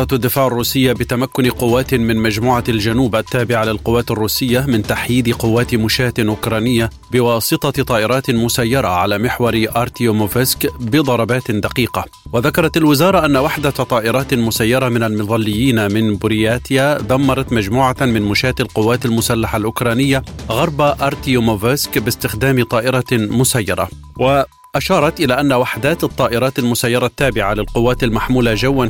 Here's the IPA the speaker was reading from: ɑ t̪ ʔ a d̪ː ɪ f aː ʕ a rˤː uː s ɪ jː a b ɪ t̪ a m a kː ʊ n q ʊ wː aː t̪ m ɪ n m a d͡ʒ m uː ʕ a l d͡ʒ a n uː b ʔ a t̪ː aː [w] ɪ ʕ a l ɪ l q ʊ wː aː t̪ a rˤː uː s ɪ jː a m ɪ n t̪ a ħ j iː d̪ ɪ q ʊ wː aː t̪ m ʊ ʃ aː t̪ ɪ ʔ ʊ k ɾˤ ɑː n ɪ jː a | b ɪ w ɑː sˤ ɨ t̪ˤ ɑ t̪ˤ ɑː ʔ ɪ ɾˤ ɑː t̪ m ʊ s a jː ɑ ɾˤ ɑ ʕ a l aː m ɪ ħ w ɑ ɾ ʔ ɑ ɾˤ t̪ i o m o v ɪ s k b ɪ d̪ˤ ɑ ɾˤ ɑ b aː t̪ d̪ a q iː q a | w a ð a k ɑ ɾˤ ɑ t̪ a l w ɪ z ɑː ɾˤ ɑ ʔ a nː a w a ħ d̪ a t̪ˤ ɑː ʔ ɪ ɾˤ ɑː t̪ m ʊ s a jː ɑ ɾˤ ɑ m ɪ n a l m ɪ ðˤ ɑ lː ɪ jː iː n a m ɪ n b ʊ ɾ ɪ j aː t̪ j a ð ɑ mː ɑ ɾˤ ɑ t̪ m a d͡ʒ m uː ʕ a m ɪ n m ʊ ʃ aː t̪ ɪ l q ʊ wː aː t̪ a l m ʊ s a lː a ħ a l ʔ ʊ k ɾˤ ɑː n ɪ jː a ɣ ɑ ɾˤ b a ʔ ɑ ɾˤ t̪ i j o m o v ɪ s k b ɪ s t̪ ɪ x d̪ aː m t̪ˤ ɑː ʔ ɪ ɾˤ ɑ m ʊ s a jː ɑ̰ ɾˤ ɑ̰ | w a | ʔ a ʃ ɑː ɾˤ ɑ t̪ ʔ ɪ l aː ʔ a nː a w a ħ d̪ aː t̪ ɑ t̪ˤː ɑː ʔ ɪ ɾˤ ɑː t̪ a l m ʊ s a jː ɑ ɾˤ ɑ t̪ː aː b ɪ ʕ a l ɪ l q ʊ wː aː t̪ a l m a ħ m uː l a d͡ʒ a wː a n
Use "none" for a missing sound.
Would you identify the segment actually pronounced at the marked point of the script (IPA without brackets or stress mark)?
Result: b